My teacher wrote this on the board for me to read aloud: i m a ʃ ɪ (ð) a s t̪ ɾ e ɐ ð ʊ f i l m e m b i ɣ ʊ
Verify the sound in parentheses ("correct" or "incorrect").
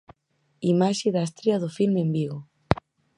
correct